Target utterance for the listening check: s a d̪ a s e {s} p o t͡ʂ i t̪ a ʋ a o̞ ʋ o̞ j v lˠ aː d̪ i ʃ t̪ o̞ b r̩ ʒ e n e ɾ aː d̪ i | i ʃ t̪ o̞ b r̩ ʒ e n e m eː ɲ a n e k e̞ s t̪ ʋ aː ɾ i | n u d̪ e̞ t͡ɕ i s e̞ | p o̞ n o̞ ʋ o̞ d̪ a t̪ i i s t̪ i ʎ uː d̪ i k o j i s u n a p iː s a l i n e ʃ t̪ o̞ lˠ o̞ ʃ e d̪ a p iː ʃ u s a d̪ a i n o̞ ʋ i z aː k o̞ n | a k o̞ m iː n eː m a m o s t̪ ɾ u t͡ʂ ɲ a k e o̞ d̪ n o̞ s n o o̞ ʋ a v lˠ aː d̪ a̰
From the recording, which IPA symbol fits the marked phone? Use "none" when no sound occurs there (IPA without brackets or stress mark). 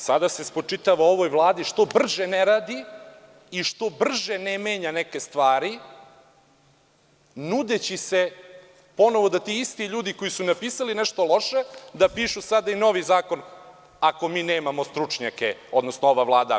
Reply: s